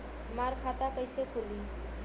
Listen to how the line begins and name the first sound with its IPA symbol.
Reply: m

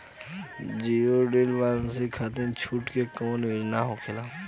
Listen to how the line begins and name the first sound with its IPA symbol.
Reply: d͡ʒ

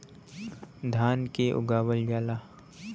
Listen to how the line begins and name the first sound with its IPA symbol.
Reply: d̪ʱ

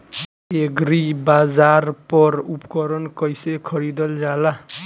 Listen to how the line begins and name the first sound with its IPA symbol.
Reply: e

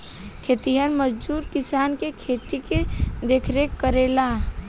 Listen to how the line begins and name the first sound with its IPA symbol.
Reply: kʰ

